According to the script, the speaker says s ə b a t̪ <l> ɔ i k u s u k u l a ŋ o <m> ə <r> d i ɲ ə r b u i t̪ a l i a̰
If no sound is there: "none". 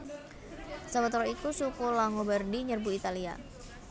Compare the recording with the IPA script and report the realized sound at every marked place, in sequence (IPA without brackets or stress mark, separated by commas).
ɾ, b, r